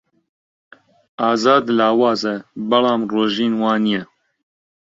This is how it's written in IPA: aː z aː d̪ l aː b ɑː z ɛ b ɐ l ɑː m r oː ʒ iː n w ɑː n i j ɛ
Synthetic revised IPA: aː z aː d̪ l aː w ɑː z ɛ b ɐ l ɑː m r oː ʒ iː n w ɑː n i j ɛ

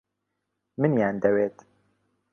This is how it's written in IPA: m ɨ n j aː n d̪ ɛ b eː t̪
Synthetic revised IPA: m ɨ n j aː n d̪ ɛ w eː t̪

